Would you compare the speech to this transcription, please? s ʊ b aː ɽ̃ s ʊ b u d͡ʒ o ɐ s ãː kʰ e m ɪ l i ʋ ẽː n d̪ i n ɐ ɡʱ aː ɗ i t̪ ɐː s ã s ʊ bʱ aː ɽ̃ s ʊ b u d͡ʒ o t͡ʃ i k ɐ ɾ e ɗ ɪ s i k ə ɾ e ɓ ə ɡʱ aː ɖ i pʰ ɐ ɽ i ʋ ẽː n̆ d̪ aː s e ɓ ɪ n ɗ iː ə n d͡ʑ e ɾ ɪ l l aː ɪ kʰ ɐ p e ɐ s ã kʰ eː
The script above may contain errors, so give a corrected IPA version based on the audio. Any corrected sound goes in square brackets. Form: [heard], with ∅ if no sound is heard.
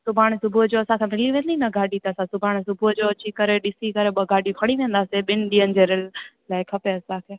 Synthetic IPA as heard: s ʊ b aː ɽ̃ s ʊ b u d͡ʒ o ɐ s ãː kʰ e m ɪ l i ʋ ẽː n d̪ i n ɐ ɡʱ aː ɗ i t̪ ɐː s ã s ʊ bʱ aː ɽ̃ s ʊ b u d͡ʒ o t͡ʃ i k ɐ ɾ e ɗ ɪ s i k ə ɾ e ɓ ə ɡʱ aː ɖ i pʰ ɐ ɽ i ʋ ẽː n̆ d̪ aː s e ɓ ɪ n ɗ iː ə n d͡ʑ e ɾ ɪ l l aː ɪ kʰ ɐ p e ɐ s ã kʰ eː